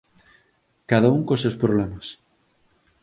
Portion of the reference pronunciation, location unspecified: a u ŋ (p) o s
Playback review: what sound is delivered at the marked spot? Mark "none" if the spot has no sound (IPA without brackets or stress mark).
k